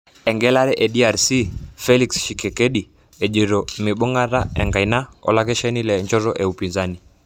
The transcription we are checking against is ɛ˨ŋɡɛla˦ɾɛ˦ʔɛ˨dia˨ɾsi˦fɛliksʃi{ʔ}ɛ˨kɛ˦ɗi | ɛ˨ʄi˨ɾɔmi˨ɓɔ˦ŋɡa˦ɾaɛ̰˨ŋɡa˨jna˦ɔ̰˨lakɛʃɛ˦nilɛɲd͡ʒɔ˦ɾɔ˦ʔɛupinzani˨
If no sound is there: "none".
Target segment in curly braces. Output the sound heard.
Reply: k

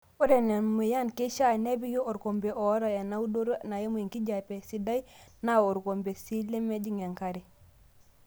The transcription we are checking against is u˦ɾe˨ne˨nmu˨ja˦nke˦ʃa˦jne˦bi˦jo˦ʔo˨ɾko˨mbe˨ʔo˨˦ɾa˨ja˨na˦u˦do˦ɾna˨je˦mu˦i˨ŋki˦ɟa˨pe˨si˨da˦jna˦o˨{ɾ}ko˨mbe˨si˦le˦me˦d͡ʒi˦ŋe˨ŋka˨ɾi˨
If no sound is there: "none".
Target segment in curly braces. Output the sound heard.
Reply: ɾ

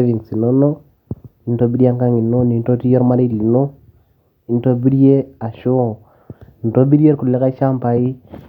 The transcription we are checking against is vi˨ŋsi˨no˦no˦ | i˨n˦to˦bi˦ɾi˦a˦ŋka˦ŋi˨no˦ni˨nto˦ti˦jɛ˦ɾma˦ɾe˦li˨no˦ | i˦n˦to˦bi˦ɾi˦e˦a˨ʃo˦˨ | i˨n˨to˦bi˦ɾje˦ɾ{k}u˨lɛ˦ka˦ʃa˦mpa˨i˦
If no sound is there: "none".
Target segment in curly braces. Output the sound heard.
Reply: k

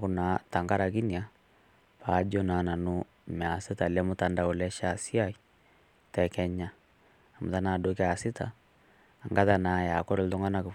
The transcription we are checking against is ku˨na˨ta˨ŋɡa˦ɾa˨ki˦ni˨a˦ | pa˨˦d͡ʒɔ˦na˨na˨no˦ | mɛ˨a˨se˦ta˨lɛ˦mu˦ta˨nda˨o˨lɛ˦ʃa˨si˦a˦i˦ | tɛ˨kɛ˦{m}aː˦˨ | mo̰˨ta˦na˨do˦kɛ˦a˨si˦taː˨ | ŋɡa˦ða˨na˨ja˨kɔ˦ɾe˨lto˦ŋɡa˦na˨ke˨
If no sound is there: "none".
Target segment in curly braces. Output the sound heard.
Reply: ɲ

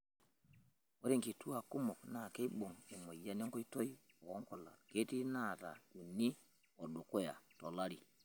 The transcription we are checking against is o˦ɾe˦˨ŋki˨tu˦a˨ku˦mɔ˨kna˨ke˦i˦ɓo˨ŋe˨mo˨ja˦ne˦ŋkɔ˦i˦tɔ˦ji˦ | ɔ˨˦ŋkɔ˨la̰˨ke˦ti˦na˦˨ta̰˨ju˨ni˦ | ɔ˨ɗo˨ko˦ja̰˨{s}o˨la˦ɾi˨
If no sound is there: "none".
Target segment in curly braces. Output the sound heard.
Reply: t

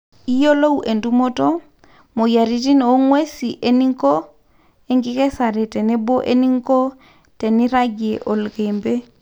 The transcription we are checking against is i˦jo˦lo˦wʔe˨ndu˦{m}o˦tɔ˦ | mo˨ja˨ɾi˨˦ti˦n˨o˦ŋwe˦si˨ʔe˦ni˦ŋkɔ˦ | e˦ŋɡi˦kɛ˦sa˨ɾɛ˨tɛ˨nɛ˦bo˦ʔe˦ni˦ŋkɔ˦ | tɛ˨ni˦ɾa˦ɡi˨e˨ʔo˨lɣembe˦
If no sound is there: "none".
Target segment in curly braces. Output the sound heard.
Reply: m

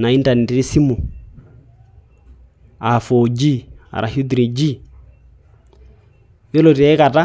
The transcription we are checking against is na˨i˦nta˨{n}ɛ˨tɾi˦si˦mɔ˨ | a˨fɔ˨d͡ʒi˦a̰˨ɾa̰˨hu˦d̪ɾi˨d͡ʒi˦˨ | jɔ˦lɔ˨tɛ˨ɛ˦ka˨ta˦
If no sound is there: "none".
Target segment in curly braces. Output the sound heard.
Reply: n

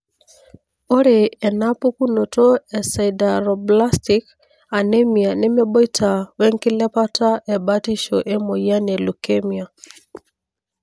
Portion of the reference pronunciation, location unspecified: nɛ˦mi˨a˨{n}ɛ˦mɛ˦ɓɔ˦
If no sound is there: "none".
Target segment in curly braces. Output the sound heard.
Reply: n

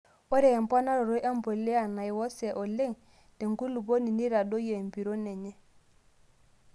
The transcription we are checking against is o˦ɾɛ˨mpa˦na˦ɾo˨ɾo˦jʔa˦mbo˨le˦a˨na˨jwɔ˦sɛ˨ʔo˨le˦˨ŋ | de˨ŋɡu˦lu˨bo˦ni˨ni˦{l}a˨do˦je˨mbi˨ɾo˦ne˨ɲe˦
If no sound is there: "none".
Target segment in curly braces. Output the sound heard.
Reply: ɾ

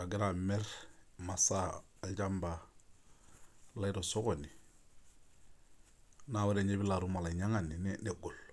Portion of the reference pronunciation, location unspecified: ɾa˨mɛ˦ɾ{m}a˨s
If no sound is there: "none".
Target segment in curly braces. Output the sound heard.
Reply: m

